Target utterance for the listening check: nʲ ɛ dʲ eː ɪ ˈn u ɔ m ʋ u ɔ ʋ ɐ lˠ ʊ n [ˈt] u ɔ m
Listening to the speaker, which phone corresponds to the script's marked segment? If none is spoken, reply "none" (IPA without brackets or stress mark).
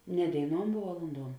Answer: d